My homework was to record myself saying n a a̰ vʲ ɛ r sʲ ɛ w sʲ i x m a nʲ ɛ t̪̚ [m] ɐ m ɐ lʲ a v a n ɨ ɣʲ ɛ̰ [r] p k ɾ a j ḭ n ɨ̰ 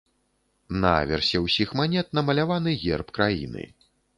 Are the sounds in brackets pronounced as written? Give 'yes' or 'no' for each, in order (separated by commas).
no, yes